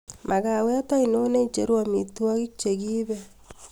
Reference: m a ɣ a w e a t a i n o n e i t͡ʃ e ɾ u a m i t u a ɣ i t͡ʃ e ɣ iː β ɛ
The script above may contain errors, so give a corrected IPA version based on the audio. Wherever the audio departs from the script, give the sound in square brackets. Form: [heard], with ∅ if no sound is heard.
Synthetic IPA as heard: m a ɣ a w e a t a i n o n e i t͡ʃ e ɾ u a m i t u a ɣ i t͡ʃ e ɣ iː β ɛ